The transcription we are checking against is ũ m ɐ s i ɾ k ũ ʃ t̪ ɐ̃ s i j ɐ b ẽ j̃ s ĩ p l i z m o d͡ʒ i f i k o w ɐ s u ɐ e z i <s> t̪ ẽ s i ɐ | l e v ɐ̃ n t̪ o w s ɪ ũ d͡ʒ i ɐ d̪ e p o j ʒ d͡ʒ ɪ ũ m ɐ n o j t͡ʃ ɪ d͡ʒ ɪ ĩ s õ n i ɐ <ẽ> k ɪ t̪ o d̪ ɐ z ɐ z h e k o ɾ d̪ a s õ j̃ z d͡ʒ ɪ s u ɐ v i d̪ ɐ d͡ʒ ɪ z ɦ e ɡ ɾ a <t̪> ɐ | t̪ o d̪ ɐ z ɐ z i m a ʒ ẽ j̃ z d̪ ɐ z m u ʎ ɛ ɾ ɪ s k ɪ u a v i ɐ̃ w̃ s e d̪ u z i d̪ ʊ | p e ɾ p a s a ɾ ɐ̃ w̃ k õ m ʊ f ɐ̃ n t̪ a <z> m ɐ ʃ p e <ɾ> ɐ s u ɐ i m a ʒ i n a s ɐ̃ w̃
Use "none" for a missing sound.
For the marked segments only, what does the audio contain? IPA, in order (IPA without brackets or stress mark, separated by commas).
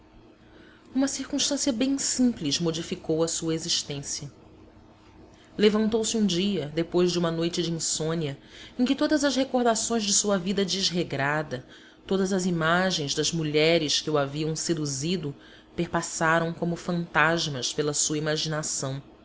ʃ, ẽ, d̪, ʒ, l